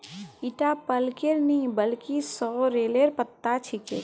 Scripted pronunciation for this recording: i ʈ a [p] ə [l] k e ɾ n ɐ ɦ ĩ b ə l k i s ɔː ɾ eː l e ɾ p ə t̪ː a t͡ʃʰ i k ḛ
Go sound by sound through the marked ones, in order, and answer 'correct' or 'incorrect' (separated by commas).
correct, correct